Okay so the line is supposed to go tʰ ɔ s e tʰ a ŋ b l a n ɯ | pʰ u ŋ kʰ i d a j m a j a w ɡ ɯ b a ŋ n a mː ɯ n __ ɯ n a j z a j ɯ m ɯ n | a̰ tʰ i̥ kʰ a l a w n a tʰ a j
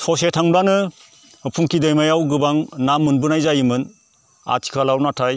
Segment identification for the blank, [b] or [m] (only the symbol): b